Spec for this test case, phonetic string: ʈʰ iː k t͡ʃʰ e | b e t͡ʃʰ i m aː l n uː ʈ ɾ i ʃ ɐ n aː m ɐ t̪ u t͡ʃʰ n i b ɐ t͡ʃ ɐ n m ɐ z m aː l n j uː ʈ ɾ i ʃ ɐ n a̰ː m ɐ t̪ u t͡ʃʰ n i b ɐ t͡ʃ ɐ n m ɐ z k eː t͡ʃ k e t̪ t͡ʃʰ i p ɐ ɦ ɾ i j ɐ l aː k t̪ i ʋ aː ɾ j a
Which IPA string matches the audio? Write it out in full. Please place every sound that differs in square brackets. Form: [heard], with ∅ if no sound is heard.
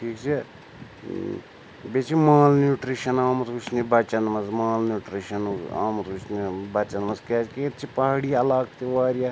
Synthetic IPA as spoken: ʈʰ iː k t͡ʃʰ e | b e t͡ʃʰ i m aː l n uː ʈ ɾ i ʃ ɐ n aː m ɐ t̪ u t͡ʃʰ n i b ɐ t͡ʃ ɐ n m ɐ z m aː l n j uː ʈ ɾ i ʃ ɐ n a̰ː m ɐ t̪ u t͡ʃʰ n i b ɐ t͡ʃ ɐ n m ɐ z k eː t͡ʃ k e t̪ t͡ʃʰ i p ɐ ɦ [ɽ] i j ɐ l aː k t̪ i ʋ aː ɾ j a